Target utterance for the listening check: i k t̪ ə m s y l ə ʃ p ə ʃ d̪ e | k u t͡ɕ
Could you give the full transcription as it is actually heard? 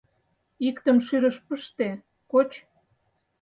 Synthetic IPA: i k t̪ ə m ʃ y ɾ ə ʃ p ə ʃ t̪ e | k o t͡ɕ